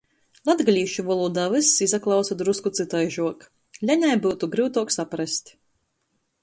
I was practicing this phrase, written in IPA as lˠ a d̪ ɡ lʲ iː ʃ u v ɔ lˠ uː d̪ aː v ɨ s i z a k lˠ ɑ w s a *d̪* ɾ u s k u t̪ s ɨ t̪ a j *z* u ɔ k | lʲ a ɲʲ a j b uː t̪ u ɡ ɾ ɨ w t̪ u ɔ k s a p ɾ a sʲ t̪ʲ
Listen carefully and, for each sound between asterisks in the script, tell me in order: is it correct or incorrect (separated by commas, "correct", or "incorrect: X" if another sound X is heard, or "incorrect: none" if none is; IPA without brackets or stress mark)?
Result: correct, incorrect: ʒ